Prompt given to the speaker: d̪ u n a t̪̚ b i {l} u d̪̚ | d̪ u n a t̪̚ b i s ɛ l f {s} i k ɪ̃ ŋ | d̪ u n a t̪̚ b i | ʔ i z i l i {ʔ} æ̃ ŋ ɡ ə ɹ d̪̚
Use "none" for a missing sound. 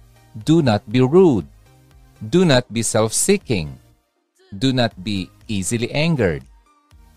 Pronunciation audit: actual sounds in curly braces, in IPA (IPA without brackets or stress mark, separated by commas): ɹ, s, ʔ